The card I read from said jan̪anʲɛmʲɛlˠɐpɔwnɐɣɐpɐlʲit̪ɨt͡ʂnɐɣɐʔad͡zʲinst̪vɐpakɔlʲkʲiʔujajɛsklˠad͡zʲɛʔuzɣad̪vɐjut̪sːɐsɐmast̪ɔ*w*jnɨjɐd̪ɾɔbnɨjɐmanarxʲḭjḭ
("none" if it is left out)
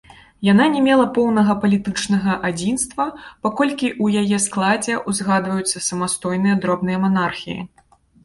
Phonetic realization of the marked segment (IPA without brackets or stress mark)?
none